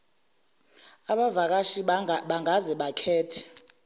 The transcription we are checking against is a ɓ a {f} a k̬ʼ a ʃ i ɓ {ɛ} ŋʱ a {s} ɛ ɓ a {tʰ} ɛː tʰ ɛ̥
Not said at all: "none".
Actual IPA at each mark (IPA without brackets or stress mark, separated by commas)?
v, a, z, kʰ